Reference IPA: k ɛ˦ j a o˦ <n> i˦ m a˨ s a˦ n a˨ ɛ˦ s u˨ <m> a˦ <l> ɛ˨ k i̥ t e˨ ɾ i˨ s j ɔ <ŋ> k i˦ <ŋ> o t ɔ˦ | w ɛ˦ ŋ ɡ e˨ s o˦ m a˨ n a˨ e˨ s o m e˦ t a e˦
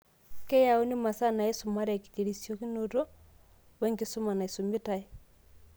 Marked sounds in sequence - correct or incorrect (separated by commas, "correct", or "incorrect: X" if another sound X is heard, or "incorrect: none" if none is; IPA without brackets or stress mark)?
correct, correct, incorrect: ɾ, incorrect: none, incorrect: n